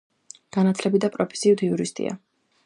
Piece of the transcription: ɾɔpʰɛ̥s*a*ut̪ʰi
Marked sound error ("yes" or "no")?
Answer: yes